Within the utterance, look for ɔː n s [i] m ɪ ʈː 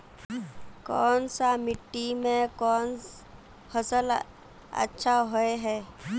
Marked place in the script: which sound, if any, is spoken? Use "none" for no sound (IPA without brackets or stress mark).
a